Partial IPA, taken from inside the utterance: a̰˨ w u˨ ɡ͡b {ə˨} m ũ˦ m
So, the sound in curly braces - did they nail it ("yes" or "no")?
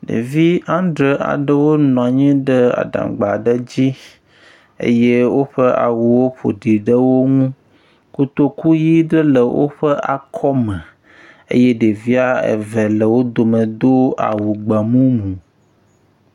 no